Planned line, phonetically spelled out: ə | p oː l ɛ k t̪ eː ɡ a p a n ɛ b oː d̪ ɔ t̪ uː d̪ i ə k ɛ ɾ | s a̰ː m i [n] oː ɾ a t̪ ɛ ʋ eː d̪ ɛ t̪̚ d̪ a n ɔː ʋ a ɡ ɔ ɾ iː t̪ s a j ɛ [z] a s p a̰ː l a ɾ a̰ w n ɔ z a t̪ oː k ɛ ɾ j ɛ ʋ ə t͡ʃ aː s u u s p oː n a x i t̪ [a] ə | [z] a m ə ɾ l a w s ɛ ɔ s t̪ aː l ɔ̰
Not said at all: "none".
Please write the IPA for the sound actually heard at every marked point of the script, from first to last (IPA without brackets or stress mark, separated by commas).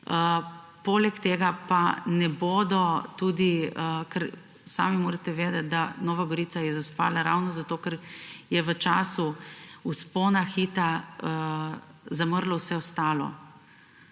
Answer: m, z, a, z